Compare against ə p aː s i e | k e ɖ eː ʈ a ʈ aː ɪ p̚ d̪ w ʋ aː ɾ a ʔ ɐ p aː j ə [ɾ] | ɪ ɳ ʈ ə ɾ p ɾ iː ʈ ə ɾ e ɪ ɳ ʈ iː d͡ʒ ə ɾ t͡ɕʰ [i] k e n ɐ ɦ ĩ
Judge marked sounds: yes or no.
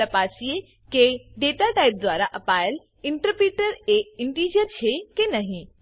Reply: no, no

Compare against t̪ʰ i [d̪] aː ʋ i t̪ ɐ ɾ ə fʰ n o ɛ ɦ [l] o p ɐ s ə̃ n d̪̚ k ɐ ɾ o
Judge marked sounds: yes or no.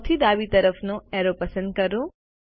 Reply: yes, no

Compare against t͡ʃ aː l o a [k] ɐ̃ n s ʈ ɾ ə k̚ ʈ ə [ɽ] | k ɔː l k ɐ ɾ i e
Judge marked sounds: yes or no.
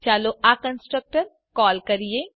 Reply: yes, no

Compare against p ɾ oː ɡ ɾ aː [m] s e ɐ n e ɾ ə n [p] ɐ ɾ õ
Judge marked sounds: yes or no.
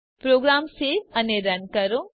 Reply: yes, no

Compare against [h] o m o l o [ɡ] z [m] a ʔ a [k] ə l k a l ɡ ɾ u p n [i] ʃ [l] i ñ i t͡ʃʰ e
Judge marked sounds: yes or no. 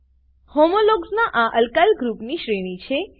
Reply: yes, yes, no, no, yes, no

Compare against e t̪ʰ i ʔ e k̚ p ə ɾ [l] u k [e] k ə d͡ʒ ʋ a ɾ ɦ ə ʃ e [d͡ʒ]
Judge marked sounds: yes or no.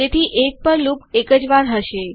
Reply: yes, yes, no

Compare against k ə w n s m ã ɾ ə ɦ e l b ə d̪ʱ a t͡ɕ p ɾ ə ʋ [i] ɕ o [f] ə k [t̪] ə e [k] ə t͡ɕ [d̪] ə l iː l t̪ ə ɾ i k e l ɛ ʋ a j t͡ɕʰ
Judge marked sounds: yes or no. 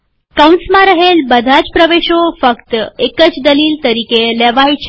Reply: no, yes, yes, yes, yes

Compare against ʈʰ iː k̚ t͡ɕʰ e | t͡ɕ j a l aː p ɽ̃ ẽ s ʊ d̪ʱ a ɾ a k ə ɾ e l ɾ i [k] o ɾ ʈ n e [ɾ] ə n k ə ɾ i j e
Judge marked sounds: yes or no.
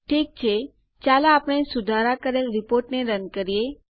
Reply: no, yes

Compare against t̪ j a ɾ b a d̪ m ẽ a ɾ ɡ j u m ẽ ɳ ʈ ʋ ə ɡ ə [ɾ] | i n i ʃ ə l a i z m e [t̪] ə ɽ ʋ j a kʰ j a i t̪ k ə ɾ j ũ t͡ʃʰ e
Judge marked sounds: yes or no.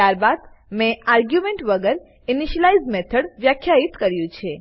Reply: yes, no

